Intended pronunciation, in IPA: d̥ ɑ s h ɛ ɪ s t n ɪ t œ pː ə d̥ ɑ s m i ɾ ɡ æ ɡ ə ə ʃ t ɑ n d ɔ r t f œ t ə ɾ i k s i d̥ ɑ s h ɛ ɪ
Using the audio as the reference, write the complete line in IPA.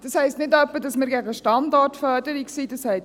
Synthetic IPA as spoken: d̥ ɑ s h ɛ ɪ s t n ɪ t œ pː ə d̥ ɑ s m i ɾ ɡ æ ɡ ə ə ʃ t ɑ n d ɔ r t f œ d ə ɾ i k s i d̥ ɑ s h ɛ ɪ